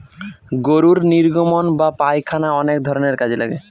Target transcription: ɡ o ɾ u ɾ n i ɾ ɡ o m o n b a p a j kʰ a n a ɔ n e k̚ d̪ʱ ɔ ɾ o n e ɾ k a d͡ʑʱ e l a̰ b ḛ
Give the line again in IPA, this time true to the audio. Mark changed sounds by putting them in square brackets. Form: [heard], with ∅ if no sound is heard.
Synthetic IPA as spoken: ɡ o ɾ u ɾ n i ɾ ɡ o m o n b a p a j kʰ a n a ɔ n e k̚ d̪ʱ ɔ ɾ o n e ɾ k a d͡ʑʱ e l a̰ [ɡ] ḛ